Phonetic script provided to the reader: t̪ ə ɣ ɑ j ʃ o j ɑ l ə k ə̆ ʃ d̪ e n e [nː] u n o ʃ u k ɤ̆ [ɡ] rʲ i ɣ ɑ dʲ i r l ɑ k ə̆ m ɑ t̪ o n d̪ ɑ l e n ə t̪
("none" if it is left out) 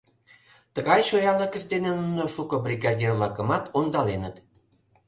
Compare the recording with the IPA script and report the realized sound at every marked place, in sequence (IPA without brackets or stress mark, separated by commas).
n, b